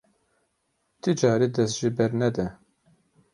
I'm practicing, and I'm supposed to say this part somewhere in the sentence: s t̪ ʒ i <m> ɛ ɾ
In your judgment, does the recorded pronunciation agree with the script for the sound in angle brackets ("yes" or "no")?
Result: no